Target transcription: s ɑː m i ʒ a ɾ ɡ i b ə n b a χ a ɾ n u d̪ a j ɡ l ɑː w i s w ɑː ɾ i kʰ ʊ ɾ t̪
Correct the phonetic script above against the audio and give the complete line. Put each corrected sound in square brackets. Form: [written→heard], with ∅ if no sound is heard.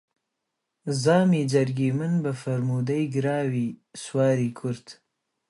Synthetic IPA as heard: [s→z] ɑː m i [ʒ→d͡ʒ] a ɾ ɡ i [b→m] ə n b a [χ→f] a ɾ [n→m] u d̪ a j ɡ [l→ɾ] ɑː w i s w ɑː ɾ i kʰ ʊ ɾ t̪